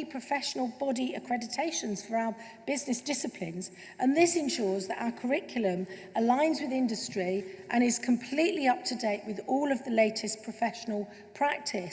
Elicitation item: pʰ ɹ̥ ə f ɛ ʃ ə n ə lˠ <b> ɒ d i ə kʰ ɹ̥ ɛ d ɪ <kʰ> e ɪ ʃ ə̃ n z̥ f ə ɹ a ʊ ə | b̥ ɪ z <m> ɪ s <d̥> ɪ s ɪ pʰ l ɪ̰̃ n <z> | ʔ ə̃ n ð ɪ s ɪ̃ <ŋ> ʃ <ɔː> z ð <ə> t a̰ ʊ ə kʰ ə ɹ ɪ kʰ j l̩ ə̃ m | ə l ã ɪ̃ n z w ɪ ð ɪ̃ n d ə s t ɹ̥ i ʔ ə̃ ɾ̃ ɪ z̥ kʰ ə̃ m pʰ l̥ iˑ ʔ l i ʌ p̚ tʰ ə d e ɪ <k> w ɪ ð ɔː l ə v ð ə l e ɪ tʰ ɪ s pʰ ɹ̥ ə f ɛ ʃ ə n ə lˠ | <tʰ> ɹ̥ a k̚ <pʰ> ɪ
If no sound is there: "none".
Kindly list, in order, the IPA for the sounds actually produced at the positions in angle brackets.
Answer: b, tʰ, n, d̥, z, n, ɔː, ə, ʔ, pʰ, tʰ

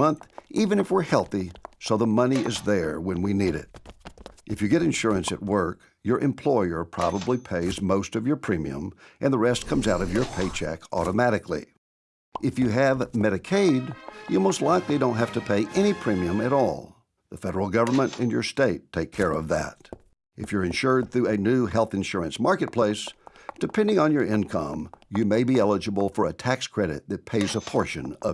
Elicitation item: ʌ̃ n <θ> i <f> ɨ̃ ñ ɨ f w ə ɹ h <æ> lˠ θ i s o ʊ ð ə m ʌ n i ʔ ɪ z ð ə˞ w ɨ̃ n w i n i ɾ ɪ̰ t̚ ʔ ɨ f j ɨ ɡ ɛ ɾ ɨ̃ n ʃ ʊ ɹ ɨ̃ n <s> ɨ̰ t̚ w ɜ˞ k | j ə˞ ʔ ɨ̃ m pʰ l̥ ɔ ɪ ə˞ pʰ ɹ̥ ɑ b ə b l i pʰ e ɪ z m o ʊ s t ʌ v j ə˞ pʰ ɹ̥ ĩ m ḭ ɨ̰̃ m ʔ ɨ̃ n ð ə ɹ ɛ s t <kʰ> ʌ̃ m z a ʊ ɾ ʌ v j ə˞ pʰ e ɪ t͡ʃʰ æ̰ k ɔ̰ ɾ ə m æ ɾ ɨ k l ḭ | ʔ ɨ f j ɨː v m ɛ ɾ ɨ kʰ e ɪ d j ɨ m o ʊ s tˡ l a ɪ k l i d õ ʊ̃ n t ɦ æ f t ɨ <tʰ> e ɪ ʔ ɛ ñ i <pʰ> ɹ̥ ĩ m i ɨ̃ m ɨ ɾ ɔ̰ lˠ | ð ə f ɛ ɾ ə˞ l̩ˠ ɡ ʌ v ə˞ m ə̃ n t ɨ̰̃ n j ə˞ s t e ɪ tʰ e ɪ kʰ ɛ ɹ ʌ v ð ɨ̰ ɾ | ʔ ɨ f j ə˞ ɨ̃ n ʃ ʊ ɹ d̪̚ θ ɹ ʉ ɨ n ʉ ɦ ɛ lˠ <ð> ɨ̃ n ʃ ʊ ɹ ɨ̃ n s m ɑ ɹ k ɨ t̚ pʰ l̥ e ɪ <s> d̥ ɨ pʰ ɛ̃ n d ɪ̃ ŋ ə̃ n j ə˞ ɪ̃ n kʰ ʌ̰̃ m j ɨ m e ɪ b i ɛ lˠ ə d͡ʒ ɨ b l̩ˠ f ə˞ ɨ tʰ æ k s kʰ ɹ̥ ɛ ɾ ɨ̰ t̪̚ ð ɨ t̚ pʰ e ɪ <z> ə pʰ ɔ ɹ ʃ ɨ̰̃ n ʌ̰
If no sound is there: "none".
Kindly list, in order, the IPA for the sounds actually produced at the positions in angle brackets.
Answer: θ, v, ɛ, s, kʰ, pʰ, pʰ, θ, s, z

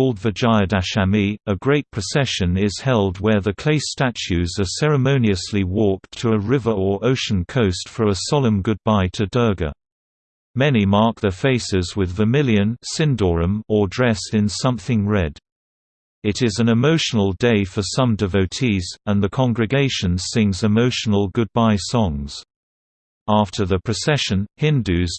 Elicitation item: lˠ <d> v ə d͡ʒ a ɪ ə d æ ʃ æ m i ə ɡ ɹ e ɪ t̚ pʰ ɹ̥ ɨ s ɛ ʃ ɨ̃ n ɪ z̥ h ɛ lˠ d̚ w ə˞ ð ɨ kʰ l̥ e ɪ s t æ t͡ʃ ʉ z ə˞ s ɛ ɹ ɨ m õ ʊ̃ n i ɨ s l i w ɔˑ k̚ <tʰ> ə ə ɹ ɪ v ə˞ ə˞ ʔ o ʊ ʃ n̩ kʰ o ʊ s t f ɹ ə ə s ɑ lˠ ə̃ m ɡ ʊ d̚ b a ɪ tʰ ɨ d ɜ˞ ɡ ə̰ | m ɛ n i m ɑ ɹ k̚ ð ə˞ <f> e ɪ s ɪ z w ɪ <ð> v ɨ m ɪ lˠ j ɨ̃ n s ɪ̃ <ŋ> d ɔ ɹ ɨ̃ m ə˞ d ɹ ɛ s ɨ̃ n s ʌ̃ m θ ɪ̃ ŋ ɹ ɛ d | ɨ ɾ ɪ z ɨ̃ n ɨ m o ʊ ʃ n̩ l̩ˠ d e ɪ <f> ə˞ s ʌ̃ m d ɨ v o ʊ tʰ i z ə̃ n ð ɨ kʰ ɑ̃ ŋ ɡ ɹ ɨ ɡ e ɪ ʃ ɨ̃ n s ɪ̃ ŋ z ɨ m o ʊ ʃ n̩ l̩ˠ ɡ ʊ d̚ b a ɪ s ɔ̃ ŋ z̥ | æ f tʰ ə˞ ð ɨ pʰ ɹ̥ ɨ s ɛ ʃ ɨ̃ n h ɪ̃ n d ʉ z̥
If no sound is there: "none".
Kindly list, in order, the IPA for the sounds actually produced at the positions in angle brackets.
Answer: d, tʰ, f, ð, n, f

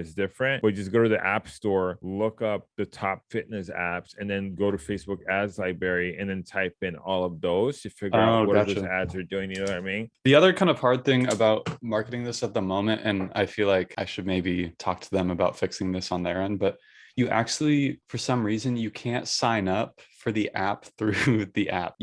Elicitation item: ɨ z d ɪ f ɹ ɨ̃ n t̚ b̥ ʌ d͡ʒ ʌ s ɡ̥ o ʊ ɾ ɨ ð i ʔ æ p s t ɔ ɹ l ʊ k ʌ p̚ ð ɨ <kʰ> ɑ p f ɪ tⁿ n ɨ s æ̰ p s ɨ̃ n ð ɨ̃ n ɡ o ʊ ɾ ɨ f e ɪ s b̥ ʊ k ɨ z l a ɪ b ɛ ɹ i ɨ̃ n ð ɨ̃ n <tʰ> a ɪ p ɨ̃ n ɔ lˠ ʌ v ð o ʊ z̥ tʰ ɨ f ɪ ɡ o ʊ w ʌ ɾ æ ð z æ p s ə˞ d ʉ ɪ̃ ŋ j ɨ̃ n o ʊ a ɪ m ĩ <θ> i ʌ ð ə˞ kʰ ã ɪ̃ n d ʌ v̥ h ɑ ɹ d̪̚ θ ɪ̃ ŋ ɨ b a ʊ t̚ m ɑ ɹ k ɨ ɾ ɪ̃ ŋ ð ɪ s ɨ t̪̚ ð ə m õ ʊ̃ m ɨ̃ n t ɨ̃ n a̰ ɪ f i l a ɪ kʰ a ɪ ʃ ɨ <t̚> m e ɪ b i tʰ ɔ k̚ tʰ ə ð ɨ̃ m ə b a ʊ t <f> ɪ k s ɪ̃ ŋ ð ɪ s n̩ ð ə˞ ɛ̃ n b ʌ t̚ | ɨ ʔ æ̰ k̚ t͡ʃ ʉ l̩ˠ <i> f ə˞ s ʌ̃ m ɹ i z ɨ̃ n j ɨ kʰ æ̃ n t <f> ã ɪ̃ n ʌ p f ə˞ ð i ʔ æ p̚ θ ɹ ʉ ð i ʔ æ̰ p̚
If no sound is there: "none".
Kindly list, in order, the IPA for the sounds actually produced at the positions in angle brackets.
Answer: tʰ, tʰ, ð, d̚, f, i, s

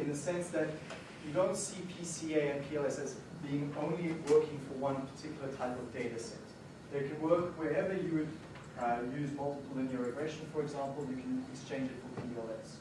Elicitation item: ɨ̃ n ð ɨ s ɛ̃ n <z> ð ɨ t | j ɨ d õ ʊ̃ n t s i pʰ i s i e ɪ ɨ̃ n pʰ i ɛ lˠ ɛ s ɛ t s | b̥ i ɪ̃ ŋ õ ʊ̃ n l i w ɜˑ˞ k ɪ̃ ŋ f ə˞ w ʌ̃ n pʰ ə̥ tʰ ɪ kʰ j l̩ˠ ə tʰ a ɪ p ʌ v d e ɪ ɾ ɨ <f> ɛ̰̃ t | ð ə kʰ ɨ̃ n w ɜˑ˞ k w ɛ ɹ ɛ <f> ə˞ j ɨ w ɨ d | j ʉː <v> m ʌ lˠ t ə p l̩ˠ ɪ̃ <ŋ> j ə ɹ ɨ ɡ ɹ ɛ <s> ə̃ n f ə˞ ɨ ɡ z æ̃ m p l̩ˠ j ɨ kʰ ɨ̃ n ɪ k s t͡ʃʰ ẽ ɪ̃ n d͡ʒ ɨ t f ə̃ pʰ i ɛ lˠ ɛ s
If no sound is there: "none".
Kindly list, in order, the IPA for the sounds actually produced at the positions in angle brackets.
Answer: s, s, v, z, n, ʃ

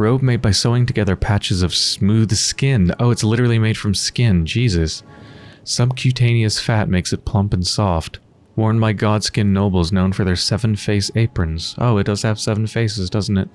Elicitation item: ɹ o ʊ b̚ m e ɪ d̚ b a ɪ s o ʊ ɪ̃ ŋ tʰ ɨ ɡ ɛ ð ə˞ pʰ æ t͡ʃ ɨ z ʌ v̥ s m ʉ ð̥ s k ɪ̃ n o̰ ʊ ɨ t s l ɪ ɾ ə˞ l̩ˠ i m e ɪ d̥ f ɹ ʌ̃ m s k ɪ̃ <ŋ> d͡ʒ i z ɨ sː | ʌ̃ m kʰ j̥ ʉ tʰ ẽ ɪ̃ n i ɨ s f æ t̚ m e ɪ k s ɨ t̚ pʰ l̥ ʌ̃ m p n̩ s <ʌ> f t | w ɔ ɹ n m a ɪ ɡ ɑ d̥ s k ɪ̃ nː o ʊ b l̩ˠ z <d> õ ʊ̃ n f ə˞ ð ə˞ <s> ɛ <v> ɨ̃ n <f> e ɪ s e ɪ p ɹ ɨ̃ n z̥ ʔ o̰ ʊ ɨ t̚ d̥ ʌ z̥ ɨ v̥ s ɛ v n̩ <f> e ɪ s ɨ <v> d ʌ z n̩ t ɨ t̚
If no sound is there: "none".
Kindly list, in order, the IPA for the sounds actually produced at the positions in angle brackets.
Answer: n, ɔ, n, s, v, f, f, z

